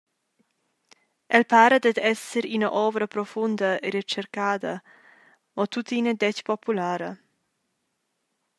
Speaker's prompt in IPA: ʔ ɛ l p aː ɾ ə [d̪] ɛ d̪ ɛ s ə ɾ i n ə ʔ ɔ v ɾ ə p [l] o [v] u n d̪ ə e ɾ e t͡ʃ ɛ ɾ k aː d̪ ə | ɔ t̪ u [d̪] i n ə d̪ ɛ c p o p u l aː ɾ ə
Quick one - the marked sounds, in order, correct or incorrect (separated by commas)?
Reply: correct, incorrect, incorrect, incorrect